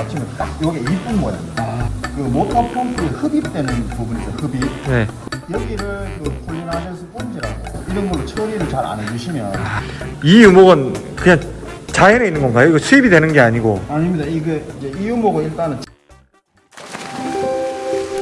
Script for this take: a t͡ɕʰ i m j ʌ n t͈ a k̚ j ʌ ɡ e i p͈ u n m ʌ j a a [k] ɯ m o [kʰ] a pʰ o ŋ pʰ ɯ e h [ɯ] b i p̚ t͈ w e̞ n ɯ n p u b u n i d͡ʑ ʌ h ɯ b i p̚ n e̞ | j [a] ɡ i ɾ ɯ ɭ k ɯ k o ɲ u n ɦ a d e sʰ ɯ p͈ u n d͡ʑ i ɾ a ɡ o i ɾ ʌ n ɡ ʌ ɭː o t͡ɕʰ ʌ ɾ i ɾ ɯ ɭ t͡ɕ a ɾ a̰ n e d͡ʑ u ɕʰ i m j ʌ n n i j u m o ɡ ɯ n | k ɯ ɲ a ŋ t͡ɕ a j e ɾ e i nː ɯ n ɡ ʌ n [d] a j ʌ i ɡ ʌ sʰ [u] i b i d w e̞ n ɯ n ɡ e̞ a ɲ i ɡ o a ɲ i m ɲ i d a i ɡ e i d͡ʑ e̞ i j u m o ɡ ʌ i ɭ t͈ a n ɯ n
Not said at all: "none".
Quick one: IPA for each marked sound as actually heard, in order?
k, tʰ, ɯ, ʌ, ɡ, u

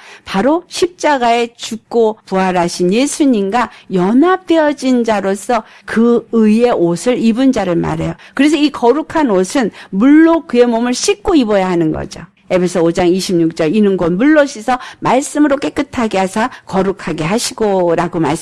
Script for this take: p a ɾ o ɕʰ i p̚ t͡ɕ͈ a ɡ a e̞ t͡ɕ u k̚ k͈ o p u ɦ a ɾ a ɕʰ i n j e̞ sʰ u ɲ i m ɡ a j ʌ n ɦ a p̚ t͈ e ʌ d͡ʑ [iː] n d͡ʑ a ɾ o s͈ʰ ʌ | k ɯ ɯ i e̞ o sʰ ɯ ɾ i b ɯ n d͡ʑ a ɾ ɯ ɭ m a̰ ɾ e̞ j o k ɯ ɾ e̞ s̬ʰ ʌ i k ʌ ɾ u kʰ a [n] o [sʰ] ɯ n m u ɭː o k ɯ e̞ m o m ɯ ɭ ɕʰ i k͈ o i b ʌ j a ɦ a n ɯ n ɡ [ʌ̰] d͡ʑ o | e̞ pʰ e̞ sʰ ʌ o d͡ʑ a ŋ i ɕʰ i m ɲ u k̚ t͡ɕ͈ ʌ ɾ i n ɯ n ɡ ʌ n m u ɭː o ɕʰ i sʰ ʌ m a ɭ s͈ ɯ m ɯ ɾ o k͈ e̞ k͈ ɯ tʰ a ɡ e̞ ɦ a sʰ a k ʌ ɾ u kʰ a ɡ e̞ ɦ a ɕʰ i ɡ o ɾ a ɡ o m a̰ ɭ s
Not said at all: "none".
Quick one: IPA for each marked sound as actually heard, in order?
i, n, sʰ, ʌ̰

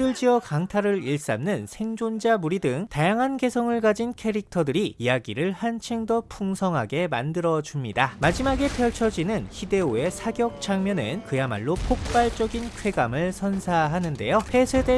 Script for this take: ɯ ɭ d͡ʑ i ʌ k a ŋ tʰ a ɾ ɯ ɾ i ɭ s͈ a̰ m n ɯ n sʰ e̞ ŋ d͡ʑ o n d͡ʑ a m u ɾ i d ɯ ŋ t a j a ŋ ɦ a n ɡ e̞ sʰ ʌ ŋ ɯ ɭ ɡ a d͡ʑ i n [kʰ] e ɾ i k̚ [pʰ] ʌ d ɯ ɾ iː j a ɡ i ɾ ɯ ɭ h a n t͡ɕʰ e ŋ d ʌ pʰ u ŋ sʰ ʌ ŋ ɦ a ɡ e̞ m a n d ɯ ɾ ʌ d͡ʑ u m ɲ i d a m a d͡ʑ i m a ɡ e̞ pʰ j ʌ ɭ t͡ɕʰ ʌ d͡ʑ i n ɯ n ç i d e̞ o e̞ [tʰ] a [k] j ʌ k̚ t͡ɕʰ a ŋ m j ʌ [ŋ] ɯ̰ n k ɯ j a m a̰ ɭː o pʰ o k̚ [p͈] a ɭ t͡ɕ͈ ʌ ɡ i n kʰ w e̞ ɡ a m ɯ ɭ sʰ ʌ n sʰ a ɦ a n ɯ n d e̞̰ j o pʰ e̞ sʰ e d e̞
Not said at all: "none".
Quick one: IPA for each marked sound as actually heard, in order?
kʰ, tʰ, sʰ, ɡ, n, p͈

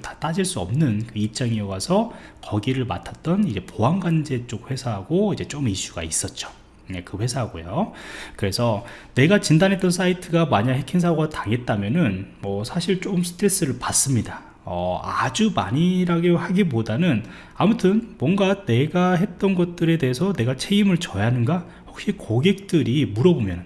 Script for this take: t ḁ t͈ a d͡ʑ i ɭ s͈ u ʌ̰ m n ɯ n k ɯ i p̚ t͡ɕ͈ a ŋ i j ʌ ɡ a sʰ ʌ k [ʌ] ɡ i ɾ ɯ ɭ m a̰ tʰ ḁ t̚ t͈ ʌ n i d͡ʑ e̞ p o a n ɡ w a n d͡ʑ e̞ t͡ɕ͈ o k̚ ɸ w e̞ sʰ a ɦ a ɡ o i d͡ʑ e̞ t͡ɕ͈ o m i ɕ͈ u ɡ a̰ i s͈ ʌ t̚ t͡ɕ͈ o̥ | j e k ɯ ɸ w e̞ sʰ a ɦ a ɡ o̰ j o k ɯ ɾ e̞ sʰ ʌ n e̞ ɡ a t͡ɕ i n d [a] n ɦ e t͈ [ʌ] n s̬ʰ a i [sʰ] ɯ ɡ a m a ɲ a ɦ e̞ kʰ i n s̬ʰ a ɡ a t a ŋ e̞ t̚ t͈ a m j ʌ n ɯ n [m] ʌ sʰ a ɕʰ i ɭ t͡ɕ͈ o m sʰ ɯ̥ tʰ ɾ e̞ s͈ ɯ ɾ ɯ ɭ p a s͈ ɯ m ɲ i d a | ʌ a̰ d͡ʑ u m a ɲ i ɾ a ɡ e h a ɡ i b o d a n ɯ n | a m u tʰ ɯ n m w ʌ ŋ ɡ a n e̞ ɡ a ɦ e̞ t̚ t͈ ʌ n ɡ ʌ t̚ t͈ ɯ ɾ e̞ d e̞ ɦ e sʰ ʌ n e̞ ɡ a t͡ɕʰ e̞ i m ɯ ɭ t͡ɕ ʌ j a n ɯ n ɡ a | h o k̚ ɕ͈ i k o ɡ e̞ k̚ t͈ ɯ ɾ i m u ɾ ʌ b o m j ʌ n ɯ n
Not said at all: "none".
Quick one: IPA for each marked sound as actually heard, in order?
ʌ, a, ʌ, tʰ, m

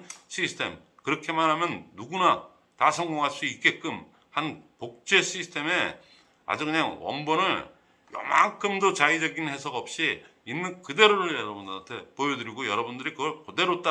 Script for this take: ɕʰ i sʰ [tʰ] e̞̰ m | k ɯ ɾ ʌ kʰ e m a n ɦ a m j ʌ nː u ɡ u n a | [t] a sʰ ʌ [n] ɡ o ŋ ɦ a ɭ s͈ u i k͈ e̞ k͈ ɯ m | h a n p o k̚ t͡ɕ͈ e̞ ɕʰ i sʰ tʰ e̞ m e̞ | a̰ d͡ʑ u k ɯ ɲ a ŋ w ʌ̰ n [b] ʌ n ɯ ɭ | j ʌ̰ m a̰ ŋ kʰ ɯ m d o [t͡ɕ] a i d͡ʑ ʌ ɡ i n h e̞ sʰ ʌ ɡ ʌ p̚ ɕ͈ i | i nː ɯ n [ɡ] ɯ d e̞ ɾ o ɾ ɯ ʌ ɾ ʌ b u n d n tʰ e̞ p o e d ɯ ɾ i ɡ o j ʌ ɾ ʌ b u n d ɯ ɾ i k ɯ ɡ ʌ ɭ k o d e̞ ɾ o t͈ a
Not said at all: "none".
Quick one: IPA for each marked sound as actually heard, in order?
tʰ, t, ŋ, b, t͡ɕ, k

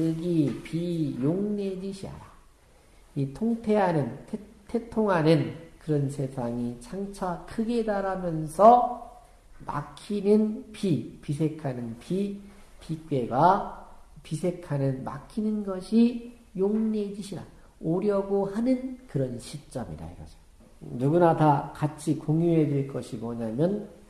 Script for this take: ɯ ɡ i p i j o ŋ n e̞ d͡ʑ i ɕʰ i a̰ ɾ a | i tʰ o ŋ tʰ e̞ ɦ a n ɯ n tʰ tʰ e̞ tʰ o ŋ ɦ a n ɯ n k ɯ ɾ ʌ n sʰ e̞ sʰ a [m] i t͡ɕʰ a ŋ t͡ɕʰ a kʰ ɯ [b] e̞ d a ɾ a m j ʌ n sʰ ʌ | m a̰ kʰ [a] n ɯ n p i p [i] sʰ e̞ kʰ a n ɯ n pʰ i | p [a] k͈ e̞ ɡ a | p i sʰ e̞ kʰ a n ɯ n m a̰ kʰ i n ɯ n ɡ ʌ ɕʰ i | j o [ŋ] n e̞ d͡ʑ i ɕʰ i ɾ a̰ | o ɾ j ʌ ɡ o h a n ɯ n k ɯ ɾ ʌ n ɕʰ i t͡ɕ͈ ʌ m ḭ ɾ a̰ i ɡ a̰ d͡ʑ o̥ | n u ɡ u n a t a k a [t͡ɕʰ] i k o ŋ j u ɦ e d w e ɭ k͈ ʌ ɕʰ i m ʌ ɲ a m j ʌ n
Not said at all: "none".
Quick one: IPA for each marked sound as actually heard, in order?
ŋ, ɡ, i, i, i, ŋ, t͡ɕʰ

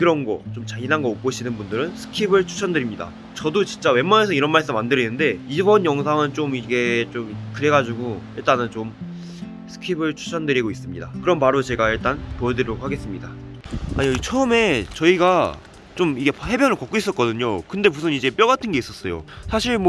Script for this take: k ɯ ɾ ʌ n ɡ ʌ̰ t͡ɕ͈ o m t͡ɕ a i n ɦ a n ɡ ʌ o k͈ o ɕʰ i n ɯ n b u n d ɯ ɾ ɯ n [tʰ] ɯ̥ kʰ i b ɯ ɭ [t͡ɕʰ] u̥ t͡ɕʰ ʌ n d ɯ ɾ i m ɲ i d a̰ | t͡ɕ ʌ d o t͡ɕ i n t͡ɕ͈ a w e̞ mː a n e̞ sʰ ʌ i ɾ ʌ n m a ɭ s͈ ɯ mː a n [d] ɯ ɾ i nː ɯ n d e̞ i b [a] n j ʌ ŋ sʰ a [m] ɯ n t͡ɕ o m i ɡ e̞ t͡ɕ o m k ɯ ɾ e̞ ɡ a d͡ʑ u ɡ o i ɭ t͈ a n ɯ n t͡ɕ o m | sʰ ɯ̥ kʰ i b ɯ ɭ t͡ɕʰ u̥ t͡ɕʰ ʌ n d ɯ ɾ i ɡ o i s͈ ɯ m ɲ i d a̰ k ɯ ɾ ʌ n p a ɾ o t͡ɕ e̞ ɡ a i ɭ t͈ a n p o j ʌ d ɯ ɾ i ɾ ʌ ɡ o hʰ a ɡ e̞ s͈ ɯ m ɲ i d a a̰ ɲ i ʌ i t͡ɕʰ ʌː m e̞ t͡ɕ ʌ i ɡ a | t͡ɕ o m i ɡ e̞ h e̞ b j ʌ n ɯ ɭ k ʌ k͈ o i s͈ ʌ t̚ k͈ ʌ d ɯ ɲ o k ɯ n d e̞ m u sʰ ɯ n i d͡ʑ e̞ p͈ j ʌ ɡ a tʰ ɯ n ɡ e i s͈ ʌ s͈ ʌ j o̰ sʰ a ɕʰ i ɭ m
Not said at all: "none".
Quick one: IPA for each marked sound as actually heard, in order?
sʰ, t͡ɕʰ, d, ʌ, ŋ

